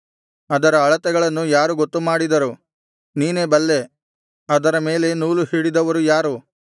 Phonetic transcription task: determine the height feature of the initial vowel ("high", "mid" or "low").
low